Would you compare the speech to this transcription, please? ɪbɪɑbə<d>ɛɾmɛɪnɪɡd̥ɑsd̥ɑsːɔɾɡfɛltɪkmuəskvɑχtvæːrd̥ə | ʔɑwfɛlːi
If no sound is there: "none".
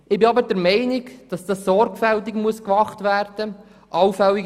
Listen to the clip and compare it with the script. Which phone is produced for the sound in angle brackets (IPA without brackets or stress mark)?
d